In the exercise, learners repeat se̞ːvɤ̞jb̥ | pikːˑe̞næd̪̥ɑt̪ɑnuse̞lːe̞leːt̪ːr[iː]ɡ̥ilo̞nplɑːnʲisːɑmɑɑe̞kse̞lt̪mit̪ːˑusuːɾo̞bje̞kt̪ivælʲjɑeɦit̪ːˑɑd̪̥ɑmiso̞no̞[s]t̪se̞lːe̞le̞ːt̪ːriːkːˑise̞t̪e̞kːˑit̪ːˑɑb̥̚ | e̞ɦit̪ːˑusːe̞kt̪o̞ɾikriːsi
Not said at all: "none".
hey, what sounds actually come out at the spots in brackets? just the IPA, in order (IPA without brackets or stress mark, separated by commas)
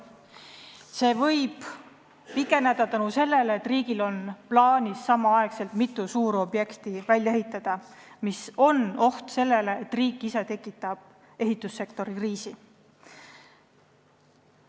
iː, h